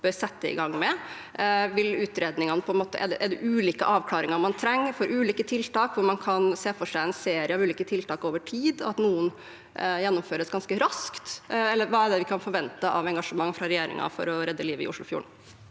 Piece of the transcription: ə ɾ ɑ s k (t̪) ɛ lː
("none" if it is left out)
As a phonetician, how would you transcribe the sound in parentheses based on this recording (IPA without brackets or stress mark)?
t̪